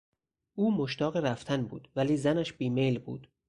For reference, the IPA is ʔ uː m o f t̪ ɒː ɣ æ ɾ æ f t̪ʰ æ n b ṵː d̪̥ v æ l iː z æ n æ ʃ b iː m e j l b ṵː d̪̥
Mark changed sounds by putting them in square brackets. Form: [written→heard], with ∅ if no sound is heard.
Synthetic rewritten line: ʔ uː m o [f→ʃ] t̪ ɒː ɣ [æ→e] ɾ æ f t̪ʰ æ n b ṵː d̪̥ v æ l iː z æ n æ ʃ b iː m e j l b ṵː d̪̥